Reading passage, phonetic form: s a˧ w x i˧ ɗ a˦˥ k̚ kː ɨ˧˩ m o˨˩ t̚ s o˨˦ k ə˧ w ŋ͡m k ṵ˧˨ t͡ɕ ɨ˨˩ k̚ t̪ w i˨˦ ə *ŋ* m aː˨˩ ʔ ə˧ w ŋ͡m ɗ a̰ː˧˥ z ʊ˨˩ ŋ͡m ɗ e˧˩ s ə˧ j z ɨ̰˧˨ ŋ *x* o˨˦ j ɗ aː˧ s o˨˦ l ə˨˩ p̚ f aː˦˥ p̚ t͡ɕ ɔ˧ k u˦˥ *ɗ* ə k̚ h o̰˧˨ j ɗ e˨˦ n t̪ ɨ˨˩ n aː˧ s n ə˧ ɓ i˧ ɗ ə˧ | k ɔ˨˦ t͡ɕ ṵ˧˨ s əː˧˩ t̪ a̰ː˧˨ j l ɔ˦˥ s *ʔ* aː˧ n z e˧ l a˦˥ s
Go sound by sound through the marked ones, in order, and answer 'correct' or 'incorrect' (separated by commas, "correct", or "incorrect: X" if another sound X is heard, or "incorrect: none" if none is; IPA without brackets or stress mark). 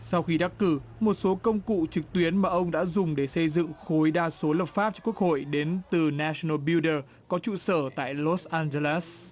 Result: incorrect: n, correct, incorrect: none, correct